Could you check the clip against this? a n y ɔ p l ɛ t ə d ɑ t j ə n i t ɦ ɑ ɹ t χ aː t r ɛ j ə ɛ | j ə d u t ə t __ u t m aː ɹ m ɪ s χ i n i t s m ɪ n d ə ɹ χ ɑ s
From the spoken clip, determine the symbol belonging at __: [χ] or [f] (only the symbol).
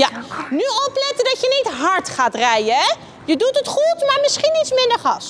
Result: χ